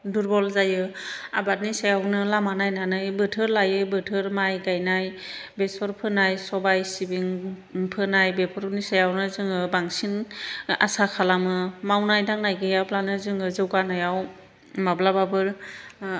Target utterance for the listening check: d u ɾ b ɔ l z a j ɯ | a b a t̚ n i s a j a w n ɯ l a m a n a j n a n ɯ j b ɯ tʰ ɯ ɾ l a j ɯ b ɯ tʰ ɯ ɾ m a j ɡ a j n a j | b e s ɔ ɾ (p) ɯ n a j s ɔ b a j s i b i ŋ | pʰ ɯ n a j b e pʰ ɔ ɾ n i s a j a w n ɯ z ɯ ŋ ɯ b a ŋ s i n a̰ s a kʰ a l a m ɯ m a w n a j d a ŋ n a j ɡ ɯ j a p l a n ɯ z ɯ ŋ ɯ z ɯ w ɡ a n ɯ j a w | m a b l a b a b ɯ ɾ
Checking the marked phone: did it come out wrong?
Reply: yes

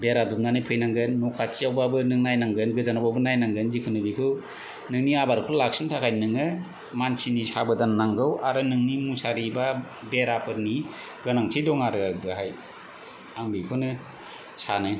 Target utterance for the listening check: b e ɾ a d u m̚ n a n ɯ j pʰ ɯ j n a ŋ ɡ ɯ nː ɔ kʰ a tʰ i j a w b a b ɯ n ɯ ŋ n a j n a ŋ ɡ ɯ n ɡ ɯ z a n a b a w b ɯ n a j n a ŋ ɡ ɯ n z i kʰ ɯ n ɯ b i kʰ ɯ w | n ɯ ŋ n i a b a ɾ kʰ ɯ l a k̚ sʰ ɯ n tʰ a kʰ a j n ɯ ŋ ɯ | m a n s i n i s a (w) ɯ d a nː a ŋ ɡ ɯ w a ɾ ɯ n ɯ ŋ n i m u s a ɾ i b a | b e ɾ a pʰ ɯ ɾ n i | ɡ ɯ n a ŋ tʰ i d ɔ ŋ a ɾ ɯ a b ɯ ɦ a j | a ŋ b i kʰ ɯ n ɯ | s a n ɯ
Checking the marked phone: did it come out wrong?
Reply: yes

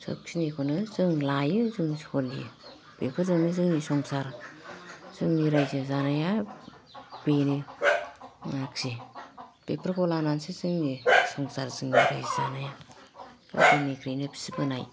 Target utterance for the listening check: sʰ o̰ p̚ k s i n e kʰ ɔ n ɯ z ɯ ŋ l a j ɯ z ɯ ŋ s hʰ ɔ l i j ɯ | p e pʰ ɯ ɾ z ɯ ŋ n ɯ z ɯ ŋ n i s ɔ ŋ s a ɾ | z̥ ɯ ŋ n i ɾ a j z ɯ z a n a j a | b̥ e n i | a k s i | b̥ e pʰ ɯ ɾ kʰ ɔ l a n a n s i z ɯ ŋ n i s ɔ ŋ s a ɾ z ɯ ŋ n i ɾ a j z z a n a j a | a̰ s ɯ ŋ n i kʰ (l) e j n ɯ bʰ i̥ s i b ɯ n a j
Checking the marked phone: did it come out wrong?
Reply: yes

